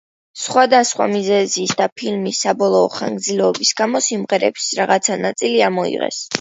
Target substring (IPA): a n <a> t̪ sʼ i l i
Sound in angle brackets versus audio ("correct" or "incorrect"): correct